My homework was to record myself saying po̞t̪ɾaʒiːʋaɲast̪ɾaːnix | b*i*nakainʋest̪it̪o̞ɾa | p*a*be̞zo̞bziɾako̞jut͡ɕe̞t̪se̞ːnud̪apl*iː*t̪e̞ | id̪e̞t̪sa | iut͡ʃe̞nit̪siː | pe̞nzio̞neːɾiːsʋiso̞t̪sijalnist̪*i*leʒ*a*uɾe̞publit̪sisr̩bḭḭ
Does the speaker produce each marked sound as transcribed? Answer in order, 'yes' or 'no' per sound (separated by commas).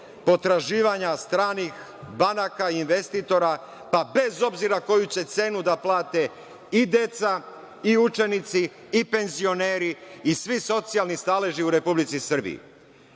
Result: no, yes, no, no, no